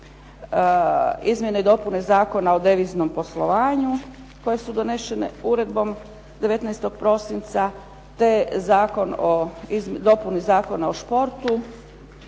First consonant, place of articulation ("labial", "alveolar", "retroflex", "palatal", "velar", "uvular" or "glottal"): alveolar